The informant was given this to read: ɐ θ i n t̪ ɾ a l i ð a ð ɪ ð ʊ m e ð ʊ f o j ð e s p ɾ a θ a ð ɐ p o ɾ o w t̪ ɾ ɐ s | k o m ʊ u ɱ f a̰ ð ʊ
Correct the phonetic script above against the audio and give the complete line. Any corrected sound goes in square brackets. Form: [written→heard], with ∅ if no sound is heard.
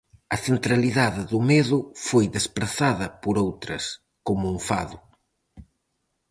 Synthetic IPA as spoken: ɐ θ [i→e] n t̪ ɾ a l i ð a ð ɪ ð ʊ m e ð ʊ f o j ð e s p ɾ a θ a ð ɐ p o ɾ o w t̪ ɾ ɐ s | k o m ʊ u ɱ f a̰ ð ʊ